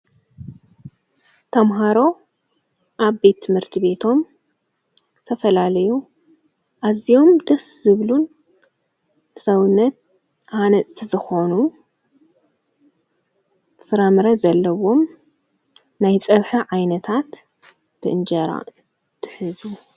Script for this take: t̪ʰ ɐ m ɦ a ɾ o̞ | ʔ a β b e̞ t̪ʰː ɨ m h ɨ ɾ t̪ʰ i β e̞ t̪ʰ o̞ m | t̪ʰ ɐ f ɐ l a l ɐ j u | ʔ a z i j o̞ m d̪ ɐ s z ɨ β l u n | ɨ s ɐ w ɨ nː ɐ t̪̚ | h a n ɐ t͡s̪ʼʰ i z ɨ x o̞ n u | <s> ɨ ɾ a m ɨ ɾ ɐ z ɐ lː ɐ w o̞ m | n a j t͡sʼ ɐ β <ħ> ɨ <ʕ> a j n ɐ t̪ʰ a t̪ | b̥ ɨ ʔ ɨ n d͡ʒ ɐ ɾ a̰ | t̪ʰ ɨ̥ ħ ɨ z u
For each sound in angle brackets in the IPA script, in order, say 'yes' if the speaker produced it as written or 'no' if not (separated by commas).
no, yes, yes